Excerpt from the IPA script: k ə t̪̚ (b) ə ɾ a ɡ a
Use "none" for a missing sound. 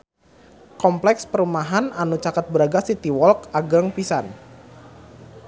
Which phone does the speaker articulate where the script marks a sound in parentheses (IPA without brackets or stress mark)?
b